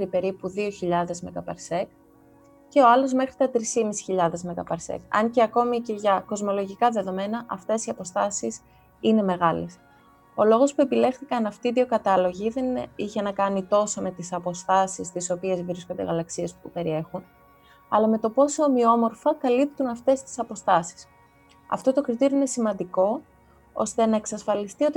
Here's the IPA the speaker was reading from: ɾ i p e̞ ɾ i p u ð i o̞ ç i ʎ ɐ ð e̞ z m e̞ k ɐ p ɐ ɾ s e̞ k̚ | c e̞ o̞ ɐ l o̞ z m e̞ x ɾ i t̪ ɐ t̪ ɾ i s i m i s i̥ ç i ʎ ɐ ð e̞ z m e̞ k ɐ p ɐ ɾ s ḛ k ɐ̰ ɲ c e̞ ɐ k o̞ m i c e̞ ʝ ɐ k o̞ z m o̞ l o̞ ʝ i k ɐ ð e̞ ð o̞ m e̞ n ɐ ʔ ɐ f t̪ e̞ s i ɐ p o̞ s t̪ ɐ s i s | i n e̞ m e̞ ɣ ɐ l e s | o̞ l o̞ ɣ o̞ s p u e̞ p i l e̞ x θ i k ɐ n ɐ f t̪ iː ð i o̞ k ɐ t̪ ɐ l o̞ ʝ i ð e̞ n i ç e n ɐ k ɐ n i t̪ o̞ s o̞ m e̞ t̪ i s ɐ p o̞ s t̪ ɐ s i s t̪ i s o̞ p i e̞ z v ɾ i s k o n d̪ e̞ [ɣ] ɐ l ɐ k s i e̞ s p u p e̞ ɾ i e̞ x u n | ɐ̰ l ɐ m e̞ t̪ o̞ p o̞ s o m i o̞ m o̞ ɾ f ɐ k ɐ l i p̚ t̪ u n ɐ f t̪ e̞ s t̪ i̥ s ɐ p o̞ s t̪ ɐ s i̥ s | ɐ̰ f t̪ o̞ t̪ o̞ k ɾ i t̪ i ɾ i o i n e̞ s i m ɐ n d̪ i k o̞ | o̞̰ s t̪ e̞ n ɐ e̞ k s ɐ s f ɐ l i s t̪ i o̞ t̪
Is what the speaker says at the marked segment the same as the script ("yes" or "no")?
yes